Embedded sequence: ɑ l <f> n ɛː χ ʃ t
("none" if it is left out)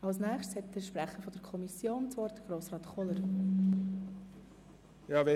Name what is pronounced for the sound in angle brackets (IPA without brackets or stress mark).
s